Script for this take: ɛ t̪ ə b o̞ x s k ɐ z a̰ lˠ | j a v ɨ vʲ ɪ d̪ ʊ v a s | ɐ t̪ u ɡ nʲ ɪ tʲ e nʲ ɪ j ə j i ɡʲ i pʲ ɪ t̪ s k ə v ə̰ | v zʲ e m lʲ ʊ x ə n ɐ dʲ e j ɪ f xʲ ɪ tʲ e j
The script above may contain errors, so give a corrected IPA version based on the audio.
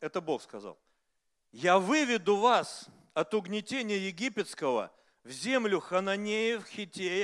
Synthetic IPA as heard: ɛ t̪ ə b o̞ x s k ɐ z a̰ lˠ | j a v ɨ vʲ ɪ d̪ ʊ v a s | ɐ t̪ ʊ ɡ nʲ ɪ tʲ e nʲ ɪ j ə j ɪ ɡʲ i pʲ ɪ t̪ s k ə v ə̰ | v zʲ e m lʲ ʊ x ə n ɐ nʲ e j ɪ f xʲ ɪ tʲ e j